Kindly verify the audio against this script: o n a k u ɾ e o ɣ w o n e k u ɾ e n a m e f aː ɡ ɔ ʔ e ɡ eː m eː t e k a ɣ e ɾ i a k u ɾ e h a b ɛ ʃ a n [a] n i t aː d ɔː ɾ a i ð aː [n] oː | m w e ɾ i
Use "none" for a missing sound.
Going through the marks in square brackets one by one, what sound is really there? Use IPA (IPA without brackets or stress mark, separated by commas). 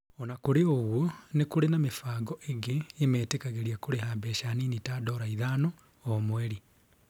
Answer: i, n